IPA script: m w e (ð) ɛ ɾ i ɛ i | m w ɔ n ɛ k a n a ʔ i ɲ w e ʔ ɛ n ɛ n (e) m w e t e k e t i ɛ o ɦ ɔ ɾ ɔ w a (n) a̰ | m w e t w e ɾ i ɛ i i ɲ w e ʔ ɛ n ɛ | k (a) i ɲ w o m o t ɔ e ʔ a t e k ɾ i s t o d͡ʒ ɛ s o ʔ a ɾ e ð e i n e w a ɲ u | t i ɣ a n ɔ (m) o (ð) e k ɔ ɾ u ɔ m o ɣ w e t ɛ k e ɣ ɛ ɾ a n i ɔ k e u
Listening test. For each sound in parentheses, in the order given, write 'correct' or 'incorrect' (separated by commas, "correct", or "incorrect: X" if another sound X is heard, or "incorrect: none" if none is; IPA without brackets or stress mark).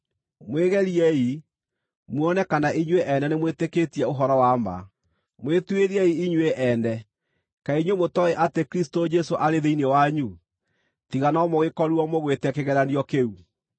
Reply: incorrect: ɣ, correct, incorrect: m, correct, correct, incorrect: ɣ